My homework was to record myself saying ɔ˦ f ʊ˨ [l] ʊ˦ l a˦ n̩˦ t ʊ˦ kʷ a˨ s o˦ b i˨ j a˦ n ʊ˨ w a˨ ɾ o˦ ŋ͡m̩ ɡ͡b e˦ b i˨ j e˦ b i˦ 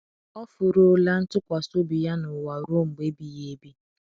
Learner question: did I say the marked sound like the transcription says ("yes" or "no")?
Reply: no